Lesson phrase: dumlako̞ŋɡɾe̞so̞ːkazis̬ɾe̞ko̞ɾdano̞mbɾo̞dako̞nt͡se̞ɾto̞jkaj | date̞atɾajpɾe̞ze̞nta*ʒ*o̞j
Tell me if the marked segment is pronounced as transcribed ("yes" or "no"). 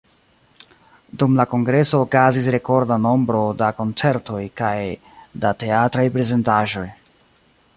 yes